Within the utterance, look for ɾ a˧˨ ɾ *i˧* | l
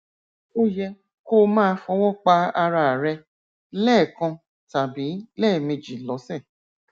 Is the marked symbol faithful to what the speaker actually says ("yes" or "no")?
no